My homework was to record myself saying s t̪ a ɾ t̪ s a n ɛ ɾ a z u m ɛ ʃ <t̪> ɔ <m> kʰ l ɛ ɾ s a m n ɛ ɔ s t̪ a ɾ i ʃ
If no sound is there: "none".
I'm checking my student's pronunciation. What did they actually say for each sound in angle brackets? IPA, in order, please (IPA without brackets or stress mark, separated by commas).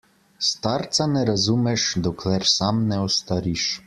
d̪, none